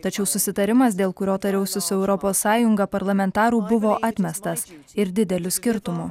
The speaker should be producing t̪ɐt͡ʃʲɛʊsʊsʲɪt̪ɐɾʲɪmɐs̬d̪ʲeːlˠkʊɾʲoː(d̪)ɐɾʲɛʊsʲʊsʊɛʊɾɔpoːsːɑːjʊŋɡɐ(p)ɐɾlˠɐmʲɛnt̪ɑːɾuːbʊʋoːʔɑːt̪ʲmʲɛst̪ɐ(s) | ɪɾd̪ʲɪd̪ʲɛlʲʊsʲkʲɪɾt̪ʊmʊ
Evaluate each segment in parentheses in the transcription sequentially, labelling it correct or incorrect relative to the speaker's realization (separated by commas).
incorrect, correct, correct